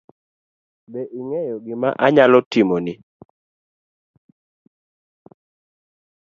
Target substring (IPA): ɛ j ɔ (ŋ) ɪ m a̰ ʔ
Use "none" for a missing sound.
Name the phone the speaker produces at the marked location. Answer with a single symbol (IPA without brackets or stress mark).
ɡ